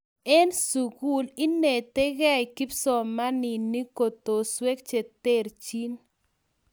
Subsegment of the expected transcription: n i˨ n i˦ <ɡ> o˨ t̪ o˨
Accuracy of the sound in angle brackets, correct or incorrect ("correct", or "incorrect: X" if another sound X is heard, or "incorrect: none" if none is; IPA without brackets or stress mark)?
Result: incorrect: k